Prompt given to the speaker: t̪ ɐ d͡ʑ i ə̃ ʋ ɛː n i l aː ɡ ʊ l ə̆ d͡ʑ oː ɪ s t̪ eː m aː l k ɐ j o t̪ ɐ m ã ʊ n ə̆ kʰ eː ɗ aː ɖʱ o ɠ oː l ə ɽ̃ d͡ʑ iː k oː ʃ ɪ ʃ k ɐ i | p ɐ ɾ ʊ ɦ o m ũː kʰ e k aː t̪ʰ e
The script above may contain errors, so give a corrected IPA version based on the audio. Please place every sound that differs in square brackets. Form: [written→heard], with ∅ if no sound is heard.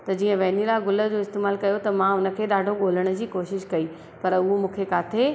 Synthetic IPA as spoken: t̪ ɐ d͡ʑ [i→iː] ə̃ ʋ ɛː n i l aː ɡ ʊ l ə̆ d͡ʑ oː ɪ s t̪ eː m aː l k ɐ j o t̪ ɐ m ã ʊ n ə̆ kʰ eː ɗ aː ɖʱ o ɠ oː l ə ɽ̃ d͡ʑ iː k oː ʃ ɪ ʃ k ɐ i | p ɐ ɾ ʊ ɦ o m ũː kʰ e k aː t̪ʰ e